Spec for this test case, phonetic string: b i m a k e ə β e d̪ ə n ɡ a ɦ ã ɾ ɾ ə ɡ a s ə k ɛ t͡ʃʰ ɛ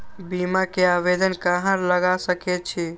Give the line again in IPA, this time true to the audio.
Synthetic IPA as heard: b i m a k e a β e d̪ ə n k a ɦ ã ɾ l ə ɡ a s ə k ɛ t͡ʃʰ i